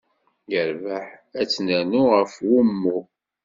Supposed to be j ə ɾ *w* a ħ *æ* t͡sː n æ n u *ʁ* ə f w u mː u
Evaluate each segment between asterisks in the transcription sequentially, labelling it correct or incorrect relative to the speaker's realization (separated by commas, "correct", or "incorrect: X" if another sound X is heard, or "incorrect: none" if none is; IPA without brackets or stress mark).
incorrect: v, correct, correct